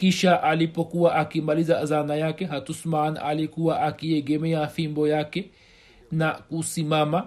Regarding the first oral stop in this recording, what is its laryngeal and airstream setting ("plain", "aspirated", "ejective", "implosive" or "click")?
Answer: plain